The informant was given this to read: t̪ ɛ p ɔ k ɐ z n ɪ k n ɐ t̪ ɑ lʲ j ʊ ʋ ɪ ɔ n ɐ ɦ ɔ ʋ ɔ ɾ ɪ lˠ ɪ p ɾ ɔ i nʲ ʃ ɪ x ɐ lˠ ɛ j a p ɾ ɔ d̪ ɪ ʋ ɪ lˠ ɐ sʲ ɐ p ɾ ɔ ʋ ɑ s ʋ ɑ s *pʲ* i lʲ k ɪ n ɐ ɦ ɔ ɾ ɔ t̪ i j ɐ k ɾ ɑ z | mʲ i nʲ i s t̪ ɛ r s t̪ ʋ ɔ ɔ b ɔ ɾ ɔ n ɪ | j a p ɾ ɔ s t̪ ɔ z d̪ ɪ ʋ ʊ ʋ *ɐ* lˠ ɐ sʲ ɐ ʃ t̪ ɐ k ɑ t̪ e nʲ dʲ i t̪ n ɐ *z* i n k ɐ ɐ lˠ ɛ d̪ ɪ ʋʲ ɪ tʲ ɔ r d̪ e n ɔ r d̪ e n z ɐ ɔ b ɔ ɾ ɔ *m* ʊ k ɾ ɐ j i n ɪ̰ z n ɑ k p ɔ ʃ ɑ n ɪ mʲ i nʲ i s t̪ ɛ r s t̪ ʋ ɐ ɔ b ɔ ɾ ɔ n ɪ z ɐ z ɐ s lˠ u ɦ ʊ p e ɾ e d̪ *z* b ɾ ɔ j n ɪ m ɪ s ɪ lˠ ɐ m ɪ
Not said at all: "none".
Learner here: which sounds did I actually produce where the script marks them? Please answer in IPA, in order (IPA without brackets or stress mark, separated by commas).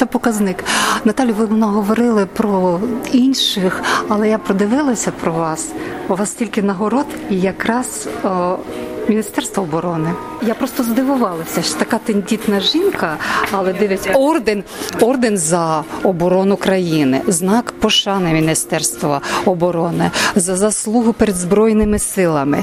tʲ, ɑ, ʒ, n, z